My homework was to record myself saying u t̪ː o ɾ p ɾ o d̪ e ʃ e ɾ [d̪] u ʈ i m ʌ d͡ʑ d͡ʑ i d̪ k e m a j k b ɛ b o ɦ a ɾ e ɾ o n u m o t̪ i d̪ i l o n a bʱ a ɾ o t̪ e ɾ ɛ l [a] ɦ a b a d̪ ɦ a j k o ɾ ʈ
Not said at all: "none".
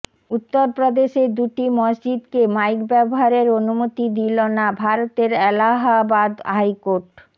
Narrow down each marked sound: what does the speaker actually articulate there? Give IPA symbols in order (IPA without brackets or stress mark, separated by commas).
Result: d̪, a